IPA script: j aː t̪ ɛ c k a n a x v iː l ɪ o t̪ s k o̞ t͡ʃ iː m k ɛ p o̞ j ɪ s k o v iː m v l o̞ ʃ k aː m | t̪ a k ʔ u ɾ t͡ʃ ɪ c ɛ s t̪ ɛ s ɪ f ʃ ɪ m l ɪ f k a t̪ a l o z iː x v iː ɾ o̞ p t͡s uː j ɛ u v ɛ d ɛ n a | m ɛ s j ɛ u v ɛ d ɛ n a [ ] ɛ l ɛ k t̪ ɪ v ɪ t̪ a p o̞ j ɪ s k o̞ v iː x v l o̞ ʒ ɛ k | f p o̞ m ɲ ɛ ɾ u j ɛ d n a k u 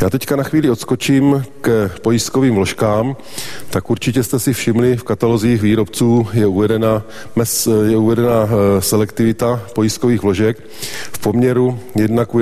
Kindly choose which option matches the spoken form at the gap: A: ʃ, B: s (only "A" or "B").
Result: B